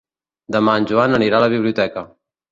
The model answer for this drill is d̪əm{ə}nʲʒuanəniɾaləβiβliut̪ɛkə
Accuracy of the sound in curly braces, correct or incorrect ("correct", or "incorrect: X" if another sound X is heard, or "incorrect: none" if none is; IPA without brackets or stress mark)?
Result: incorrect: a